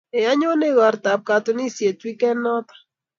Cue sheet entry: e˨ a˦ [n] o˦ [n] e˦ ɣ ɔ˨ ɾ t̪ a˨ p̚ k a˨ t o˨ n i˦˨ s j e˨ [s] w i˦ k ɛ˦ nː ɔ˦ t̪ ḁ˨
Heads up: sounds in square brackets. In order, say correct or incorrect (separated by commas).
incorrect, correct, incorrect